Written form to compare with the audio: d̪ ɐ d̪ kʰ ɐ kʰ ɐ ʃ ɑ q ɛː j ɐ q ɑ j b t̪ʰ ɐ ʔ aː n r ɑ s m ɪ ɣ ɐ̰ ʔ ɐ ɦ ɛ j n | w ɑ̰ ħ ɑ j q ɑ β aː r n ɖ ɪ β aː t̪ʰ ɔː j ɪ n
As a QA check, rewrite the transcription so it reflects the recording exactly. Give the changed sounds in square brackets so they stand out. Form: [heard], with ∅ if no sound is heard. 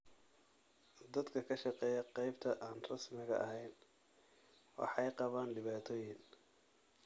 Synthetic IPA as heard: d̪ ɐ d̪ kʰ ɐ kʰ ɐ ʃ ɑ q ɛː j ɐ q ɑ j b t̪ʰ ɐ ʔ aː n r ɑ s m ɪ ɣ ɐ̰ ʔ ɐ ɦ ɛ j n | w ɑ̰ ħ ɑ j q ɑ β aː [∅] n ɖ ɪ β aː t̪ʰ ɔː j ɪ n